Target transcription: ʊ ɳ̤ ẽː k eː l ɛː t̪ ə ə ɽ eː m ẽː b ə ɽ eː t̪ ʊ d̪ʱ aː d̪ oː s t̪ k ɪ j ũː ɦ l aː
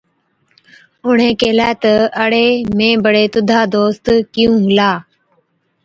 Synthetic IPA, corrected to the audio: ʊ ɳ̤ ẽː k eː l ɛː t̪ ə ə ɽ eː m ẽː b ə ɽ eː t̪ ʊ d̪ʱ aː d̪ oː s t̪ k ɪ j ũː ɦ l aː

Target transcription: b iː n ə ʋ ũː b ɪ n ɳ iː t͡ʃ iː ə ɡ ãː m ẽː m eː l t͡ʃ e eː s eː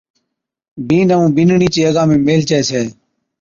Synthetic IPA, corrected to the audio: b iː n ə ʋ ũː b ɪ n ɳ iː t͡ʃ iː ə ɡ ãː m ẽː m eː l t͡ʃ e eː s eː

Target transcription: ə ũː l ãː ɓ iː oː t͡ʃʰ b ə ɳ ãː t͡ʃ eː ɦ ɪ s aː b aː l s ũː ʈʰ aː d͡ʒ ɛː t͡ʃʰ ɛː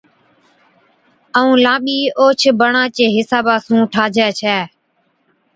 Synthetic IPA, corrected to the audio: ə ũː l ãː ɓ iː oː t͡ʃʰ b ə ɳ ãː t͡ʃ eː ɦ ɪ s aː b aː s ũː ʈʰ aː d͡ʒ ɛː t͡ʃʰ ɛː

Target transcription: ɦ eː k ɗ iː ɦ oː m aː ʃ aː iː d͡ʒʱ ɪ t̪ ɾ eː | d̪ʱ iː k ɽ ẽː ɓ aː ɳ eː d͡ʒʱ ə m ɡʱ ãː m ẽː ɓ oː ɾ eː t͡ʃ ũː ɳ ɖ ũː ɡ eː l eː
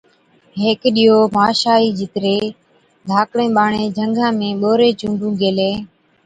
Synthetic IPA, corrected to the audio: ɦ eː k ɗ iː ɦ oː m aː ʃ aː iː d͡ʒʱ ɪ t̪ ɾ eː | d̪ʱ aː k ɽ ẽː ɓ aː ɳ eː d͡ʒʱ ə ŋ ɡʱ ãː m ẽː ɓ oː ɾ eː t͡ʃ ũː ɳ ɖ ũː ɡ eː l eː

